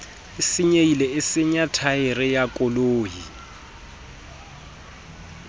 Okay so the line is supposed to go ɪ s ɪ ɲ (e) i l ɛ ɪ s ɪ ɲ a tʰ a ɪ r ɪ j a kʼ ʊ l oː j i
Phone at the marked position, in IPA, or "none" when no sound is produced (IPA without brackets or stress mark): e